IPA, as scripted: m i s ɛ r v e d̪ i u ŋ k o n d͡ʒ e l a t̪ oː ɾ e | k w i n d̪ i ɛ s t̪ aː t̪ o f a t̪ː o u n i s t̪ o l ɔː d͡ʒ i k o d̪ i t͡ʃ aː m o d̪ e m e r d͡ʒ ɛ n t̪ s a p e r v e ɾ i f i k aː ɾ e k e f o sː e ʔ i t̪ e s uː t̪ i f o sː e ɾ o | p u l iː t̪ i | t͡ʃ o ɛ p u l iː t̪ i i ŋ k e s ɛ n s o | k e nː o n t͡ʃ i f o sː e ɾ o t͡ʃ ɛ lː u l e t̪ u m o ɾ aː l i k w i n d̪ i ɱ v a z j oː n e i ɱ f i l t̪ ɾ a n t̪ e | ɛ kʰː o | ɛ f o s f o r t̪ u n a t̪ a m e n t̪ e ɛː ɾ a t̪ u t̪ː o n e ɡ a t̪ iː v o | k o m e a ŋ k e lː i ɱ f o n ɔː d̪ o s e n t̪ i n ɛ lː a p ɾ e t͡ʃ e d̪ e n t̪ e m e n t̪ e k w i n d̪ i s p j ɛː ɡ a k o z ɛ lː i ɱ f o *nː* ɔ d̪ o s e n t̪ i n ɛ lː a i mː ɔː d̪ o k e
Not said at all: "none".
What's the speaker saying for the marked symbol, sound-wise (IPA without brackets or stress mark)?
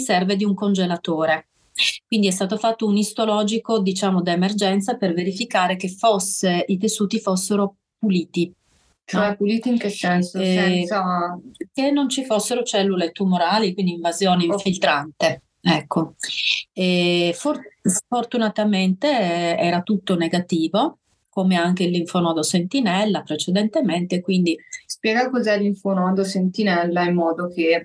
n